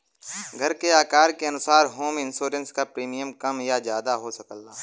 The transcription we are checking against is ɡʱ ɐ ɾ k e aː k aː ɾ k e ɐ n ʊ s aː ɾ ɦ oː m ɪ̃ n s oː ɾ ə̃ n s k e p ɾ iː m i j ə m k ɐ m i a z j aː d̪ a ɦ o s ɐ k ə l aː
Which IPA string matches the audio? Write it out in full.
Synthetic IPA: ɡʱ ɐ ɾ k e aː k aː ɾ k e ɐ n ʊ s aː ɾ ɦ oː m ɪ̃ n s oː ɾ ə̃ n s k a p ɾ iː m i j ə m k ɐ m j a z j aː d̪ a ɦ o s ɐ k ə l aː